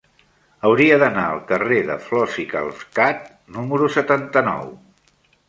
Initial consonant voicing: voiced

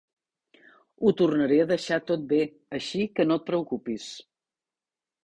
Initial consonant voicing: voiceless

